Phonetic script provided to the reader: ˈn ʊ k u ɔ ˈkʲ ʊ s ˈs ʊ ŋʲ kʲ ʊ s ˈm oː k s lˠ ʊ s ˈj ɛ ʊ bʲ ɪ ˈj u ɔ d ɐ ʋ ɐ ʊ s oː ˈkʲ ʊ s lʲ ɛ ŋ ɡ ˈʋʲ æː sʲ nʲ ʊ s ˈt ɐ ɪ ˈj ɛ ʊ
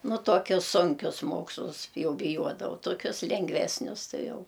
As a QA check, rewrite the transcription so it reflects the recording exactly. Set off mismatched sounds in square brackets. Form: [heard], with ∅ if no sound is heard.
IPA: ˈn ʊ [t] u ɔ ˈkʲ ʊ s ˈs ʊ ŋʲ kʲ ʊ s ˈm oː k s lˠ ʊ s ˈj ɛ ʊ bʲ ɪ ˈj u ɔ d ɐ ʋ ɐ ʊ [t] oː ˈkʲ ʊ s lʲ ɛ ŋ ɡ ˈʋʲ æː sʲ nʲ ʊ s ˈt ɐ ɪ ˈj ɛ ʊ